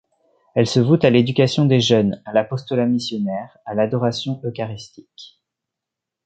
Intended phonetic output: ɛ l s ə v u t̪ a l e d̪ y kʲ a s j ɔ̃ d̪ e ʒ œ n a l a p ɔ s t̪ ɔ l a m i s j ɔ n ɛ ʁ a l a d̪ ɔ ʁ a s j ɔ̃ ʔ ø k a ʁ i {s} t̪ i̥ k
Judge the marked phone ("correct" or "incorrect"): correct